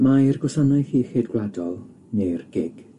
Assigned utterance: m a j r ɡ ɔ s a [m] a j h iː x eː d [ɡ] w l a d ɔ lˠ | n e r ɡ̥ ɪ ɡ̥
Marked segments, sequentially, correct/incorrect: incorrect, correct

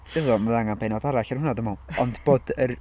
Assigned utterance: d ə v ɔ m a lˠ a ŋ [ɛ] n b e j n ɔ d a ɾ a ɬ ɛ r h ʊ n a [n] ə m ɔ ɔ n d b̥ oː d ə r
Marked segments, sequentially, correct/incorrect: incorrect, incorrect

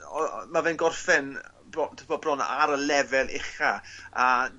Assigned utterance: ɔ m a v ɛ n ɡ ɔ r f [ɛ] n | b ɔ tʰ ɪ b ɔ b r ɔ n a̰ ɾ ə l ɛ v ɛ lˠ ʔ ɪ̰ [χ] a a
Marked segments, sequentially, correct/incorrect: correct, correct

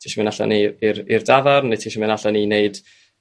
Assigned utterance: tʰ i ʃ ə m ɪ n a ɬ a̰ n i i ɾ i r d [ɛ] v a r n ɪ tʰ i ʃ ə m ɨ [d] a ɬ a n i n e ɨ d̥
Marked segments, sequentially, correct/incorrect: incorrect, incorrect

